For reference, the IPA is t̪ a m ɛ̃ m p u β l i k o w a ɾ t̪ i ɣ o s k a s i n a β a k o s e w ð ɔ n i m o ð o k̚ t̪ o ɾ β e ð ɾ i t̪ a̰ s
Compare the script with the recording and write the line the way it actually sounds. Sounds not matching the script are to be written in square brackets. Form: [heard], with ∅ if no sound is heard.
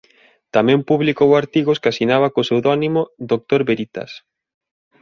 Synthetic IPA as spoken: t̪ a m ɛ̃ m p u β l i k o w a ɾ t̪ i ɣ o s k a s i n a β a k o s e w ð ɔ n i m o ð o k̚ t̪ o ɾ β e [∅] ɾ i t̪ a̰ s